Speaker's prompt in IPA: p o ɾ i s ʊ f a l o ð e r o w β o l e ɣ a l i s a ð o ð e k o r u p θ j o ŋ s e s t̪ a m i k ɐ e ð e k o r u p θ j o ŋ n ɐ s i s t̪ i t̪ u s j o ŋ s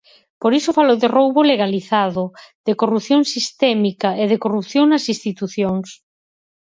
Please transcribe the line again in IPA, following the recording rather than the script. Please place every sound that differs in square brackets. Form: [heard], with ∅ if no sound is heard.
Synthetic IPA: p o ɾ i s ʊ f a l o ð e r o w β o l e ɣ a l i [θ] a ð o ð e k o r u p θ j o ŋ s [i] s t̪ [ɛ] m i k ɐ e ð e k o r u p θ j o ŋ n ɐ s i s t̪ i t̪ u [θ] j o ŋ s